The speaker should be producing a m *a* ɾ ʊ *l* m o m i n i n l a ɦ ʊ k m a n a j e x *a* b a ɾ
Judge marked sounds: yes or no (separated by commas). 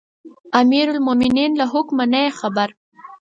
no, yes, yes